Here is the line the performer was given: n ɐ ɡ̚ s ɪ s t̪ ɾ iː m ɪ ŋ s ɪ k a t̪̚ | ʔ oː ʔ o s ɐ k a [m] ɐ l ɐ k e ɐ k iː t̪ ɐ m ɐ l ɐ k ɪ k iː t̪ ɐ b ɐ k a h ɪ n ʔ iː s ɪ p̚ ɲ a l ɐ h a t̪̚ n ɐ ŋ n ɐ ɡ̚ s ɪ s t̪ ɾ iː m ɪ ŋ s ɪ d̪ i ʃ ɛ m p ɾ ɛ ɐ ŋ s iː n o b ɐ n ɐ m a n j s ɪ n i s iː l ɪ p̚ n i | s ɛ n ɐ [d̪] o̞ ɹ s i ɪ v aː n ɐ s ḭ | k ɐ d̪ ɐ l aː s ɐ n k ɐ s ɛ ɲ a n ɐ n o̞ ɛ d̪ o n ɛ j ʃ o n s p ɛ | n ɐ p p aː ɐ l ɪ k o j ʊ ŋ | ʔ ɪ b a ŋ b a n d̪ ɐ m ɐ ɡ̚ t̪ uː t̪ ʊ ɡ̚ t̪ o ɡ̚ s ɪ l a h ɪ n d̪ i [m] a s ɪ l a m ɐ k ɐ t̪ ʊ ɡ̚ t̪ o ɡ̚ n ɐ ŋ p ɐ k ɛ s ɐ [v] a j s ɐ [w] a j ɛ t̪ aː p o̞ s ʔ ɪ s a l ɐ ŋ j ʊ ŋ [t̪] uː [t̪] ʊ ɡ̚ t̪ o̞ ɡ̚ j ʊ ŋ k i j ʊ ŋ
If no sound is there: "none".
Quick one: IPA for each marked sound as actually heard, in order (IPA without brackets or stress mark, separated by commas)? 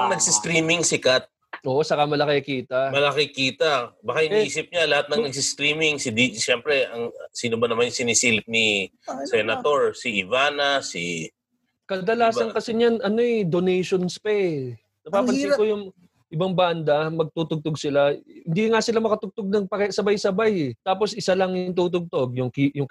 m, t̪, ŋ, b, b, t̪, t̪